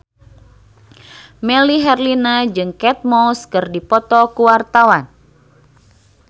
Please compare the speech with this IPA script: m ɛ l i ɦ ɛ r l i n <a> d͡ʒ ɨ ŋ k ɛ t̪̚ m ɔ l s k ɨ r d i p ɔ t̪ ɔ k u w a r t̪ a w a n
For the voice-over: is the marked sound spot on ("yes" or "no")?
yes